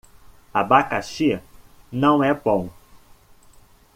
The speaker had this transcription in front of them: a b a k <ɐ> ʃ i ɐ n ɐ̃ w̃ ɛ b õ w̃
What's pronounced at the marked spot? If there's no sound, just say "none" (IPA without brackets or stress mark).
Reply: a